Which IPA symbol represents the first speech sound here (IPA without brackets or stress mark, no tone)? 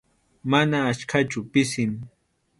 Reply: m